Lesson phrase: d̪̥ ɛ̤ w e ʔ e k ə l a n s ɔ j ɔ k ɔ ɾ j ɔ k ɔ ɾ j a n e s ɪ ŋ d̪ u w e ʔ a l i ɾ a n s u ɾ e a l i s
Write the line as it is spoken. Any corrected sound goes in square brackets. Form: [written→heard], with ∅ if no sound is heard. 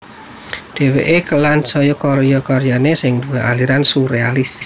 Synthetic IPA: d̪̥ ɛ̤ w e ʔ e k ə l a n s ɔ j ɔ k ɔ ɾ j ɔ k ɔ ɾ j a n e s ɪ ŋ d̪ u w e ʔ a l i ɾ a n s u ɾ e a l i s